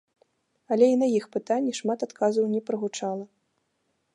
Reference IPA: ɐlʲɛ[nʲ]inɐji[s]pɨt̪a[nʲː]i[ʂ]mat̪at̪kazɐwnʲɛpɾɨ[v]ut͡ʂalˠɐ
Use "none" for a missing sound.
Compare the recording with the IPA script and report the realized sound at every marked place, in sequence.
none, x, nʲː, ʂ, ɣ

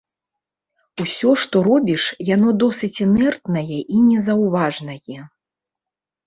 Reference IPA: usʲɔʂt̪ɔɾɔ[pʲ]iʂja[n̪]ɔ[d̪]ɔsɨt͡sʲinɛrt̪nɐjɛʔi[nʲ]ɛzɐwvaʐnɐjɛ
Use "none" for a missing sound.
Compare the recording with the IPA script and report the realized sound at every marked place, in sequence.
bʲ, n̪, d̪, nʲ

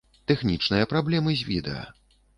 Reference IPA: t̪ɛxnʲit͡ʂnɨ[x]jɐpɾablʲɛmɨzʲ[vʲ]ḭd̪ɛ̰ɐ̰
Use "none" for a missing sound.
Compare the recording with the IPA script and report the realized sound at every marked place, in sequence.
none, vʲ

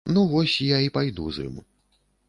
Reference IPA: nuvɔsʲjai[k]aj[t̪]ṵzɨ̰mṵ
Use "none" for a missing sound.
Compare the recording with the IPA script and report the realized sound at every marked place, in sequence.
p, d̪

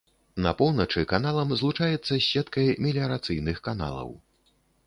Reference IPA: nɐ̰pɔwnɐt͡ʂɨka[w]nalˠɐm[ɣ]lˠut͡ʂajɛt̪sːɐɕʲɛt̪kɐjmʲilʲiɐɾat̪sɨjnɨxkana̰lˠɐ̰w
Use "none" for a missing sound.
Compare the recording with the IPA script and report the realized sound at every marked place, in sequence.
none, z

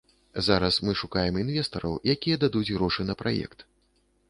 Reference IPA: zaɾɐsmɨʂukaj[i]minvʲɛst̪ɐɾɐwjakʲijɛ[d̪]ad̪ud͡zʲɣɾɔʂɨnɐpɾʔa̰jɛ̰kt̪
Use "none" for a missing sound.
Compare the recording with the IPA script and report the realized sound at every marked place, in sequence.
ɛ, d̪

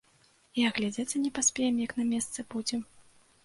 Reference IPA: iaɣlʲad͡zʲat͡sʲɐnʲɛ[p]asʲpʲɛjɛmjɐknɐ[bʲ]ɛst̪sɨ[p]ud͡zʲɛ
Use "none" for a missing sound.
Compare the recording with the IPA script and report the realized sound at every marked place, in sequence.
p, mʲ, b

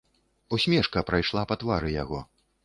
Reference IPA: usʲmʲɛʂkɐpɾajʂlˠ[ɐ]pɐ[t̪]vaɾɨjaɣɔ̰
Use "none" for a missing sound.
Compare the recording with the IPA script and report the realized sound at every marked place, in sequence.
a, t̪

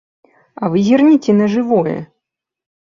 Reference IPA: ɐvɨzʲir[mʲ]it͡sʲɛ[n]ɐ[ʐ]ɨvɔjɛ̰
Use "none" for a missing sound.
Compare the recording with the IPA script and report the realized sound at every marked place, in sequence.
nʲ, n, ʐ

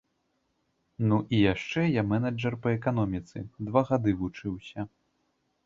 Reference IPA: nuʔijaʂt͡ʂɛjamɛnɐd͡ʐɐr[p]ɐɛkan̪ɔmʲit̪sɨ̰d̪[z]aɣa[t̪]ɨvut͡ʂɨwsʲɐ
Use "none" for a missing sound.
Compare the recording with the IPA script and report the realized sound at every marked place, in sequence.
p, v, d̪

